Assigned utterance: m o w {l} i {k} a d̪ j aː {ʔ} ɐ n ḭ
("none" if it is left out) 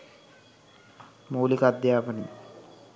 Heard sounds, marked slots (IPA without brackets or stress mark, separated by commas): l, k, p